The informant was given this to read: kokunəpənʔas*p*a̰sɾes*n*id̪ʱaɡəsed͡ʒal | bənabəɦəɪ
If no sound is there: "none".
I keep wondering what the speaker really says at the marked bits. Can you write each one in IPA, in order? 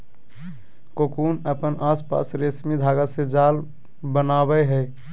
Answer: p, m

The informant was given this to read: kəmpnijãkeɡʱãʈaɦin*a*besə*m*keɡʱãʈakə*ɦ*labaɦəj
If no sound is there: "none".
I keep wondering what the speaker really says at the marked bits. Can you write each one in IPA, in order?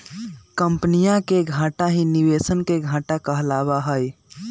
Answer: i, n, ɦ

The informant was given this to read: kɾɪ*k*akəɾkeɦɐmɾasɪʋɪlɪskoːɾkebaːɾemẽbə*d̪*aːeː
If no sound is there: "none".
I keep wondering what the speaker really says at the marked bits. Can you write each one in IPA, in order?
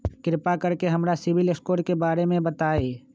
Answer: p, t̪

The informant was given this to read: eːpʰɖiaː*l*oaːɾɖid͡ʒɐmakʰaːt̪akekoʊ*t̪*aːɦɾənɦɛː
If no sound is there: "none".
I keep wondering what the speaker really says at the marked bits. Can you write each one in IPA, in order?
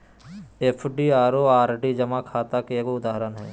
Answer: ɾ, d̪

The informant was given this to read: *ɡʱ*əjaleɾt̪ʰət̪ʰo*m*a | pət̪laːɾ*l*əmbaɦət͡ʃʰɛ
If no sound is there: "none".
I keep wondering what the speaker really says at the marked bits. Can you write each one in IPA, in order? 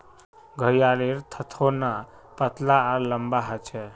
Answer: ɡʱ, n, l

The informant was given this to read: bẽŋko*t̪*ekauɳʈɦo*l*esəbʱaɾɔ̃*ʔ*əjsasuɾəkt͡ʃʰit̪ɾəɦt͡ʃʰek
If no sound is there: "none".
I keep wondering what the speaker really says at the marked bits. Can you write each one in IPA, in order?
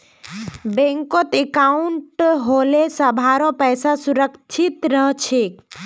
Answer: t̪, l, p

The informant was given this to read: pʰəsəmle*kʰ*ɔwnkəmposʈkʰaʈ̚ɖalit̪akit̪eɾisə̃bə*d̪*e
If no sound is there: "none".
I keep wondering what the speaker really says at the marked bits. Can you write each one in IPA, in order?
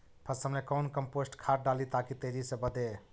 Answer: k, d̪

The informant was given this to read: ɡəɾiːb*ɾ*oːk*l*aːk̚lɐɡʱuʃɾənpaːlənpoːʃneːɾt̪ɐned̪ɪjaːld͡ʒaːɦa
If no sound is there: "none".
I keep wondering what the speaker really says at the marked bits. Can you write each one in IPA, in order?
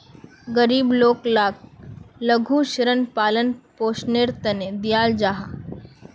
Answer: l, l

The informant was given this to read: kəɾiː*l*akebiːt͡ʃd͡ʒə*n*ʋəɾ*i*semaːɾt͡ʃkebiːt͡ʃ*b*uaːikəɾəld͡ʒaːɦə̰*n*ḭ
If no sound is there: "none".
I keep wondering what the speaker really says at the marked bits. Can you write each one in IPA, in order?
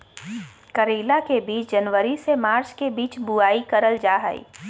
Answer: l, n, i, b, none

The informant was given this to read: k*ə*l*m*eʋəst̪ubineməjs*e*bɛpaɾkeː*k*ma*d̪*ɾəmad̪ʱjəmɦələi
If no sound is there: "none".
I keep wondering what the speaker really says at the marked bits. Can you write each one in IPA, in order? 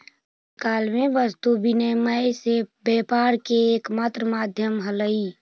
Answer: a, m, e, k, t̪

